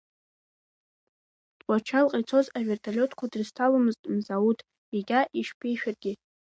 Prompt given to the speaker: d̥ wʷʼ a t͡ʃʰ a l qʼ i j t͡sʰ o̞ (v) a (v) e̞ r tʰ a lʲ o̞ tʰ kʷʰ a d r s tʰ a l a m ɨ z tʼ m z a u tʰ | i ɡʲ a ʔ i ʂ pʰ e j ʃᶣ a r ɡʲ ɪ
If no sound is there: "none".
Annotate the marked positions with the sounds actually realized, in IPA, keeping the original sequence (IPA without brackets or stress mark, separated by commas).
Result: z, v